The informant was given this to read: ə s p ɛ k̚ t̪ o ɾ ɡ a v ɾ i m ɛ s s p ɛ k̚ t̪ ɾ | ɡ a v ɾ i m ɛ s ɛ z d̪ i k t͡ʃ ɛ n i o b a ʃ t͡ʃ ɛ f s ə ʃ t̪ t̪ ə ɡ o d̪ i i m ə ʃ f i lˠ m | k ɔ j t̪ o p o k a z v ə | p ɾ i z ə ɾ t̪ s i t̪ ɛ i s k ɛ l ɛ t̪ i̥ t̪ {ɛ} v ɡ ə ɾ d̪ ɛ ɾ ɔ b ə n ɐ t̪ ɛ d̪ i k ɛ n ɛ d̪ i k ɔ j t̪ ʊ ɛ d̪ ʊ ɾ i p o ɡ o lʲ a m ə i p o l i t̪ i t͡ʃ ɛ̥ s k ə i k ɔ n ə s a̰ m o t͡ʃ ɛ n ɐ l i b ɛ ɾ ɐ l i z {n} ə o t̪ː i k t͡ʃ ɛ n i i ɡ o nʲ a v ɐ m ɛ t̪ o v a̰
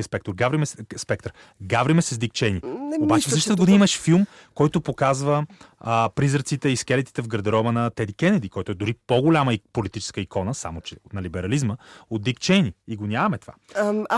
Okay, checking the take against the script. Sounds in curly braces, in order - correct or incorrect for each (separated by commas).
correct, incorrect